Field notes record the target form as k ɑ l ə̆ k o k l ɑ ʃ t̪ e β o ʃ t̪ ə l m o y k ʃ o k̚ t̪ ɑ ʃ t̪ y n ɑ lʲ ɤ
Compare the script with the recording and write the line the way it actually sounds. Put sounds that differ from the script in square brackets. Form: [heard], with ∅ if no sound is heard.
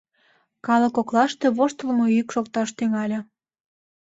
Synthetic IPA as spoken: k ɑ l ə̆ k o k l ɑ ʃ t̪ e β o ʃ t̪ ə l m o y k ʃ o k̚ t̪ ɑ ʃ t̪ y [ŋ] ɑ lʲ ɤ